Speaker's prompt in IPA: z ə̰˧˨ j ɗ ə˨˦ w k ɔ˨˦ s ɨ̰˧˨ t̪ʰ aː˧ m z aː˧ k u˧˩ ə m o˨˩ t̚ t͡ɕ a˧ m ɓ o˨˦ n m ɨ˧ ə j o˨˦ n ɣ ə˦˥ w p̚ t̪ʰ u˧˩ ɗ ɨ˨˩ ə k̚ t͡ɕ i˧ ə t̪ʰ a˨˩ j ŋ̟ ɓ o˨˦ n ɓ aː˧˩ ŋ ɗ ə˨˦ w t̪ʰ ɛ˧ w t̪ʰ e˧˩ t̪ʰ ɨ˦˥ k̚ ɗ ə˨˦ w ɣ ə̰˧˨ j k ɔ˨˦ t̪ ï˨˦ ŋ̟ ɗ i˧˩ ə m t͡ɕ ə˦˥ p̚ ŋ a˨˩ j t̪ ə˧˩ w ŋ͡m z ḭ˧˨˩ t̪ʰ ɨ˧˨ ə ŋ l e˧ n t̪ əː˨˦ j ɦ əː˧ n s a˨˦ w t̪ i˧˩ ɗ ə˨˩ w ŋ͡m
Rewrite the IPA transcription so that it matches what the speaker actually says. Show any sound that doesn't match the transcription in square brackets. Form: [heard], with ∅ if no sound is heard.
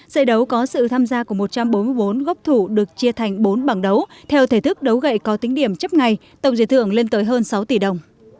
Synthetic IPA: z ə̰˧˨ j ɗ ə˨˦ w k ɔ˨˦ s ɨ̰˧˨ t̪ʰ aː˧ m z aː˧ k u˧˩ ə m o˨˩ t̚ t͡ɕ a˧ m ɓ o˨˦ n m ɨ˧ ə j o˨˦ n ɣ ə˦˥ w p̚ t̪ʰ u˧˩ ɗ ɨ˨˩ ə k̚ t͡ɕ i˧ ə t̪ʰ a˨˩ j ŋ̟ ɓ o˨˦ n ɓ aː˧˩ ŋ ɗ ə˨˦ w t̪ʰ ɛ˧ w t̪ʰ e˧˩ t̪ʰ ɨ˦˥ k̚ ɗ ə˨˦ w ɣ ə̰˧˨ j k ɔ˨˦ t̪ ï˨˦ ŋ̟ ɗ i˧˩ ə m t͡ɕ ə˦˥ p̚ ŋ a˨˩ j t̪ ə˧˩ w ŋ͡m z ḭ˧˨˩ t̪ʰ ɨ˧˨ ə ŋ l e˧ n t̪ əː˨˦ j ɦ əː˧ n s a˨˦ w t̪ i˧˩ ɗ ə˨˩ w ŋ͡m